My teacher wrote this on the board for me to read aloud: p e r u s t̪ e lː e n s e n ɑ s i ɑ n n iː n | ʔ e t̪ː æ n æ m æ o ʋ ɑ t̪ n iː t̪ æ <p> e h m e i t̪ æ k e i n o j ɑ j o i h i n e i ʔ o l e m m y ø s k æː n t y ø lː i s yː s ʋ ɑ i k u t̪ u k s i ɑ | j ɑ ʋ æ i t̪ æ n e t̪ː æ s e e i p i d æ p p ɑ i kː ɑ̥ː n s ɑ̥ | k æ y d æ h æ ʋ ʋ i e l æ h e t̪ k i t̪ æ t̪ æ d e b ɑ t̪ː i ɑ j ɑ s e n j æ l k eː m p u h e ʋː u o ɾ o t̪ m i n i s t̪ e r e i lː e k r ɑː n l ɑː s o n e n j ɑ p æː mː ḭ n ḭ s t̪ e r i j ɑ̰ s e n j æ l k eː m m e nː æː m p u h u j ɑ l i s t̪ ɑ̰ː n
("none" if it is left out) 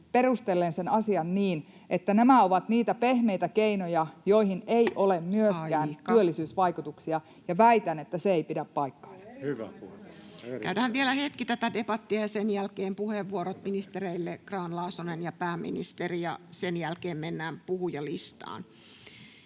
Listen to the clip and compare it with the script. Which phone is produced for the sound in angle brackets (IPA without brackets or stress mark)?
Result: p